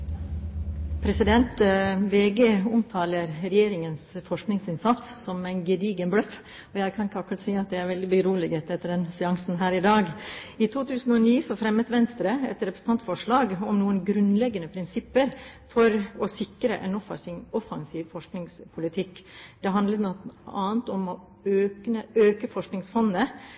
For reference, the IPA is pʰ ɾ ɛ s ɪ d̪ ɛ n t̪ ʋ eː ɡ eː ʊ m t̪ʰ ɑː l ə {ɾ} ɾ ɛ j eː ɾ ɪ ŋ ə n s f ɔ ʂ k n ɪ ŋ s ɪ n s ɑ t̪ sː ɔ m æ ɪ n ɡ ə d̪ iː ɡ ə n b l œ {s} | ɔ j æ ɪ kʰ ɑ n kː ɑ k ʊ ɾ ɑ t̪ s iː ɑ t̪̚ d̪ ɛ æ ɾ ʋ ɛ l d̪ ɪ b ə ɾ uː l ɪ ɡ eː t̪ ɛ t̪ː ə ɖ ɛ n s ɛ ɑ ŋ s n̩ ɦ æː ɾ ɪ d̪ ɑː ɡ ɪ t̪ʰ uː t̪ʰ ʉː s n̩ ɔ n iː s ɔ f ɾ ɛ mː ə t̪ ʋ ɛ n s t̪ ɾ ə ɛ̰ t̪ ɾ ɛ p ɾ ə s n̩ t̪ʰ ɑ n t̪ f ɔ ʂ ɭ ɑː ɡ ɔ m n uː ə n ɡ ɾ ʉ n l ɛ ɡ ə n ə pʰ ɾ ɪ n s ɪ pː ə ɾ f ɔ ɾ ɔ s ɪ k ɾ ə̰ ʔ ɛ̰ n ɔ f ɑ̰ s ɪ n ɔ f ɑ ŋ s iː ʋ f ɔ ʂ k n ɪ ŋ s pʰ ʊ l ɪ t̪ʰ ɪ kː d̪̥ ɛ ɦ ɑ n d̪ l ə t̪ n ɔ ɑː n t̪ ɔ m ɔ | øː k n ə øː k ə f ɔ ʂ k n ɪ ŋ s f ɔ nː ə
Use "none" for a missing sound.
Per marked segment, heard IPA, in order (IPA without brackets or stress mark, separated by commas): ɾ, f